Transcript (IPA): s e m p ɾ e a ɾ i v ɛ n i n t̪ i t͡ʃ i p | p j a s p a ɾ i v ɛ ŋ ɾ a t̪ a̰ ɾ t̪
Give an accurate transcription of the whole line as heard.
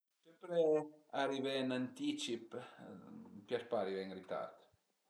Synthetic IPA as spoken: s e m p ɾ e a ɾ i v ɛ n a n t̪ i t͡ʃ i p | p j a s p a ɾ i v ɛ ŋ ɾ i t̪ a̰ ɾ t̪